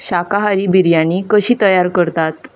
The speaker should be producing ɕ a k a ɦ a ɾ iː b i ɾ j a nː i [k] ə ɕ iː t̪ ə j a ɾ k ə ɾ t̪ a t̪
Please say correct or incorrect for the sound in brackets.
correct